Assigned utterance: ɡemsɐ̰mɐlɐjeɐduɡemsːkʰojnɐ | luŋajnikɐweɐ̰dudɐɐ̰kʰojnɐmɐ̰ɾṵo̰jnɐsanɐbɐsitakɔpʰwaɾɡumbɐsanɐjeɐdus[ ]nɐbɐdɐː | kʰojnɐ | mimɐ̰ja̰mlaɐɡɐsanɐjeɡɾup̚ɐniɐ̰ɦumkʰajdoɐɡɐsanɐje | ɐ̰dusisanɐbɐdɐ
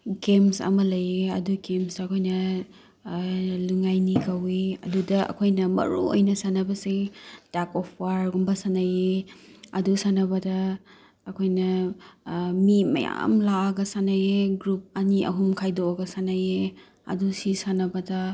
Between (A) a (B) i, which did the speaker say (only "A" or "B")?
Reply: A